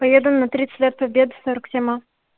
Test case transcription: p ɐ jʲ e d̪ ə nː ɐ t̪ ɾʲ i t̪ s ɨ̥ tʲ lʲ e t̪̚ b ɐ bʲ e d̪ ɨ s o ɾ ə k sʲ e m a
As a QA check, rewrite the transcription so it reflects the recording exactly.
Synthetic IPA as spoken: p ɐ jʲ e d̪ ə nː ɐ t̪ ɾʲ i t̪ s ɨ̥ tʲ lʲ e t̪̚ p ɐ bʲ e d̪ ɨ s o ɾ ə k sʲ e m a